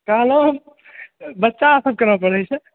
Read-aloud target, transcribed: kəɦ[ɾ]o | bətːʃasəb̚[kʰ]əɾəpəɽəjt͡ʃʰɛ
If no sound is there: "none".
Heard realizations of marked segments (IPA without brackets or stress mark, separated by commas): l, k